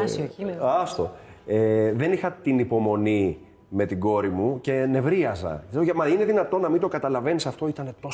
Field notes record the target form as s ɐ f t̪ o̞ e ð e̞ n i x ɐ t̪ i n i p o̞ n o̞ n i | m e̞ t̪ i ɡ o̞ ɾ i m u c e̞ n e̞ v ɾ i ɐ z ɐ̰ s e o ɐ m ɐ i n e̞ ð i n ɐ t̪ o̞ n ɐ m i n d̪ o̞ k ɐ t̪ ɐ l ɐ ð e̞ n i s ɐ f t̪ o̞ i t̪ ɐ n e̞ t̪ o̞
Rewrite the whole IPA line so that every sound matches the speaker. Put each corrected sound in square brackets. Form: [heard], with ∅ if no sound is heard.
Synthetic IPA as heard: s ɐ [s] t̪ o̞ e ð e̞ n i x ɐ t̪ i n i p o̞ [m] o̞ n i | m e̞ t̪ i ɡ o̞ ɾ i m u c e̞ n e̞ v ɾ i ɐ z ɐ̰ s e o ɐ m ɐ i n e̞ ð i n ɐ t̪ o̞ n ɐ m i n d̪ o̞ k ɐ t̪ ɐ l ɐ [v] e̞ n i s ɐ f t̪ o̞ i t̪ ɐ n e̞ t̪ o̞